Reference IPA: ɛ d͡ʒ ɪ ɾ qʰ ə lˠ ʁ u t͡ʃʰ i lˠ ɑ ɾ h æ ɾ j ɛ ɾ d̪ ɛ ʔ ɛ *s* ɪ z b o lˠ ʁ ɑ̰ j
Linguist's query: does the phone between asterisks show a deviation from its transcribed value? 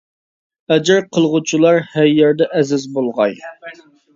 yes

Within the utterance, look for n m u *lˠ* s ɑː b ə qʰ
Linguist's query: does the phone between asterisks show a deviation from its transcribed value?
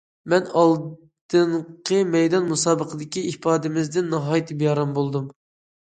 yes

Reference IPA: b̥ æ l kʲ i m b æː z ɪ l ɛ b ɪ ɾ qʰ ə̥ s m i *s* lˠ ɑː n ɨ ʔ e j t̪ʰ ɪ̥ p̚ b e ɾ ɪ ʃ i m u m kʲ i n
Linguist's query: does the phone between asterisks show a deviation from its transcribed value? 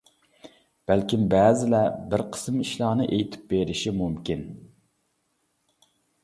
yes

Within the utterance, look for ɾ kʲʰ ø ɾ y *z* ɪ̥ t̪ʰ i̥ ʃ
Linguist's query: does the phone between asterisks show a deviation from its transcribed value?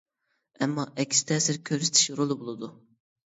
yes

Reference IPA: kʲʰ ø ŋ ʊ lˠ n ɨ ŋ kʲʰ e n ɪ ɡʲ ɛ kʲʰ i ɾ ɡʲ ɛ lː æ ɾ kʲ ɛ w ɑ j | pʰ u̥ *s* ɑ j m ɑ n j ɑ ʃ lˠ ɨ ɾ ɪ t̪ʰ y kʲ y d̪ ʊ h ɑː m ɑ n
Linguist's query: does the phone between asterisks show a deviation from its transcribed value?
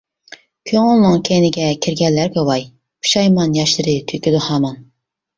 yes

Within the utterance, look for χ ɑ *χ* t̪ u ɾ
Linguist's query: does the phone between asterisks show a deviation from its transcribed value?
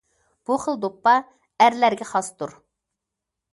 yes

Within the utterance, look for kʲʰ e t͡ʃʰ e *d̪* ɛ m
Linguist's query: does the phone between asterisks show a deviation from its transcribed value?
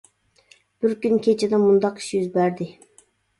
no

